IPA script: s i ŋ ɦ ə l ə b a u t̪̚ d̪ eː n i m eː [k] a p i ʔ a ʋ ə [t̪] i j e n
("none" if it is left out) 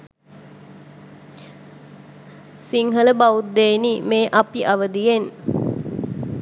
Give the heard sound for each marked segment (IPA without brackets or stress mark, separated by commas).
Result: ʔ, d̪